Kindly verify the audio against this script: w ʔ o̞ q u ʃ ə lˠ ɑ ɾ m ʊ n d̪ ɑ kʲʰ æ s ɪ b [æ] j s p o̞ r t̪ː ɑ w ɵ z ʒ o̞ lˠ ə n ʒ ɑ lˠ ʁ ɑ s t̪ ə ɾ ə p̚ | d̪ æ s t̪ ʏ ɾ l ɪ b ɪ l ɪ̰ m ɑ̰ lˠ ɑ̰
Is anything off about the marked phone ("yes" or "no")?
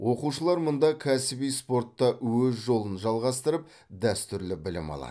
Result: yes